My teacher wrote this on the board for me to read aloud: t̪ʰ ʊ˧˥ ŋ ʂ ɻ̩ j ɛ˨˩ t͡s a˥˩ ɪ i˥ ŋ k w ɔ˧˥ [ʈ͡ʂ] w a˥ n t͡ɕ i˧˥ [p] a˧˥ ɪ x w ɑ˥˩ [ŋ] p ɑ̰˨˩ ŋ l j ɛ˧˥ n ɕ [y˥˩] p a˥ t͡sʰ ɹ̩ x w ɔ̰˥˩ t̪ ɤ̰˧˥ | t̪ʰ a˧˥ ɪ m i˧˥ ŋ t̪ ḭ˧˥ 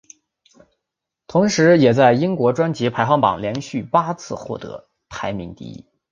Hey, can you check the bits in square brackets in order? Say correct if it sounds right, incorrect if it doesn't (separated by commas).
correct, incorrect, correct, correct